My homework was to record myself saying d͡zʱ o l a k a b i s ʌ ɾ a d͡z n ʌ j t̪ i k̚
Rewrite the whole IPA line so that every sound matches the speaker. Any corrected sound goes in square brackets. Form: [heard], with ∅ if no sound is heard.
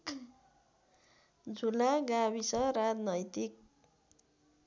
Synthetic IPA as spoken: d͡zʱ [u] l a [ɡ] a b i s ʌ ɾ a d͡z n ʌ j t̪ i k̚